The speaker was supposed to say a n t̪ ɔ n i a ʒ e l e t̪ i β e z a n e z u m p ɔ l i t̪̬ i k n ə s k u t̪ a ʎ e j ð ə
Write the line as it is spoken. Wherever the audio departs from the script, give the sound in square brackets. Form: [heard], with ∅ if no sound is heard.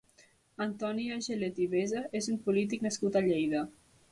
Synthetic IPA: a n t̪ ɔ n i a ʒ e l e t̪ i β e z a [∅] e z u m p [u] l i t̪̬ i k n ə s k u t̪ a ʎ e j ð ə